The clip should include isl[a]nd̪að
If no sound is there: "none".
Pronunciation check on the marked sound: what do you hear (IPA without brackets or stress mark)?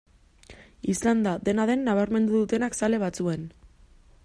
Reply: a